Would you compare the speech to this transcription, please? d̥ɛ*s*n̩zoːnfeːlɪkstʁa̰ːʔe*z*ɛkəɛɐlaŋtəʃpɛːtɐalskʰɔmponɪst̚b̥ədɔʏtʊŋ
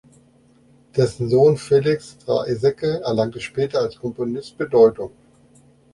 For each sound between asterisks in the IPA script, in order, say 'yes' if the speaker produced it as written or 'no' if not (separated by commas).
yes, yes